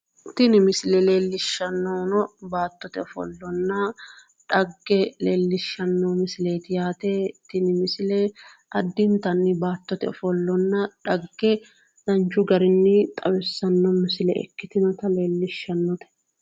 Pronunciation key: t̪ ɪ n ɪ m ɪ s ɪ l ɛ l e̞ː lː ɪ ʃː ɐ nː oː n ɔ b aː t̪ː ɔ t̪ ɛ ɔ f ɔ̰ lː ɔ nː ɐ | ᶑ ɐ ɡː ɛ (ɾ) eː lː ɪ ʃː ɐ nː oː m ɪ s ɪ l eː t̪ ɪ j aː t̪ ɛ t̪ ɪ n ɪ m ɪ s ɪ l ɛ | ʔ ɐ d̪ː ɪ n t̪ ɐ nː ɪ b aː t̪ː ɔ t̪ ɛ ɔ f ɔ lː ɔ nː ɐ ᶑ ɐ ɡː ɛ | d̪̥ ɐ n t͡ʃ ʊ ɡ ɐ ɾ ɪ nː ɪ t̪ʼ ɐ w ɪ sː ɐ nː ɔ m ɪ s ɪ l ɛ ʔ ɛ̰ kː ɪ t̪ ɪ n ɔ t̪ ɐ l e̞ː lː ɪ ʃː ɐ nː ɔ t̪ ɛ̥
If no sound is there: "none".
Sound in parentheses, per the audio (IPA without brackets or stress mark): l